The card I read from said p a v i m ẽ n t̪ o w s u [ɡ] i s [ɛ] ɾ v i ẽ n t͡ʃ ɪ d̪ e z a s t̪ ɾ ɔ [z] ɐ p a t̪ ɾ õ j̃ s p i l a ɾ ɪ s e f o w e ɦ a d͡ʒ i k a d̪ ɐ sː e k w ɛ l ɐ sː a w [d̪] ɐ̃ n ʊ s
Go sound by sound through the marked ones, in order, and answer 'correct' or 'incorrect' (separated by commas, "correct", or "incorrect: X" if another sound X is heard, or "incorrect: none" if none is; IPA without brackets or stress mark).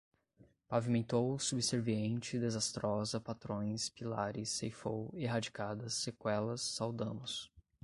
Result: incorrect: b, incorrect: e, correct, correct